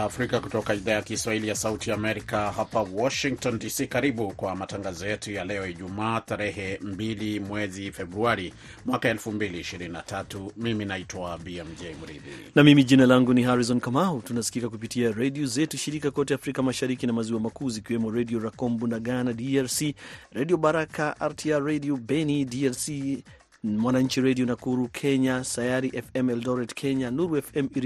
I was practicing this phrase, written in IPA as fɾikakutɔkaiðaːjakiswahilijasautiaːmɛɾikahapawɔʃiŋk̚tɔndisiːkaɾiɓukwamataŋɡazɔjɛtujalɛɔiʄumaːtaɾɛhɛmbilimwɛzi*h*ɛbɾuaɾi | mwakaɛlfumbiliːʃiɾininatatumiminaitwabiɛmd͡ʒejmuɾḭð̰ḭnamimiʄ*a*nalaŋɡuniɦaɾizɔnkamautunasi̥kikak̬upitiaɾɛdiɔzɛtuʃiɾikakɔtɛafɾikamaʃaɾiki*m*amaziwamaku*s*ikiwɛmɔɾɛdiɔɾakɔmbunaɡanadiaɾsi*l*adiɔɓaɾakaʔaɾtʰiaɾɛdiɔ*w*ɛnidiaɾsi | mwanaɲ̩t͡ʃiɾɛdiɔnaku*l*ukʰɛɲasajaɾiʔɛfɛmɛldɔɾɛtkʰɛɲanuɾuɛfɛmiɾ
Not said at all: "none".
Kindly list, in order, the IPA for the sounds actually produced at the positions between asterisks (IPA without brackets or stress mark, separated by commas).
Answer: f, i, n, z, ɾ, b, ɾ